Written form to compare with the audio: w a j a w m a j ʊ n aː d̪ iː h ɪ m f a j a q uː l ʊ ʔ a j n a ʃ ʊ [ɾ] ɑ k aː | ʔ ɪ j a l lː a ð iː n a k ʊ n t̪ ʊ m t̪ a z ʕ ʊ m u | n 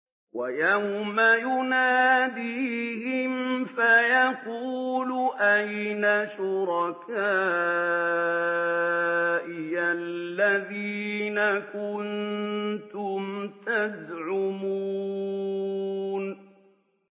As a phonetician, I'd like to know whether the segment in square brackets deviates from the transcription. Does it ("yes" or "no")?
no